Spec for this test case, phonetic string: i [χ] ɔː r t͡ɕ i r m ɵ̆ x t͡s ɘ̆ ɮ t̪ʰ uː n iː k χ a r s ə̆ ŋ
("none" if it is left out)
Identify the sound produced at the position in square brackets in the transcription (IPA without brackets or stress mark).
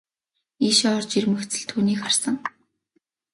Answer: ʃ